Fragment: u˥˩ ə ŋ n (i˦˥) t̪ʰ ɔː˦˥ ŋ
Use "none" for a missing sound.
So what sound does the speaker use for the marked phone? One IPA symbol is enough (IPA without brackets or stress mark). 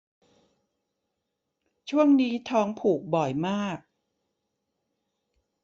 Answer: iː˦˥